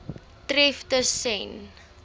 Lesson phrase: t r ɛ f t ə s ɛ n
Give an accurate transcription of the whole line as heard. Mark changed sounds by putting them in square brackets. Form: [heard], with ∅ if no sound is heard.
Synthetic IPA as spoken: t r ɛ f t ə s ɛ n